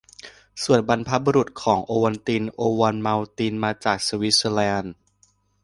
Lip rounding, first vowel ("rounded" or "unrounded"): rounded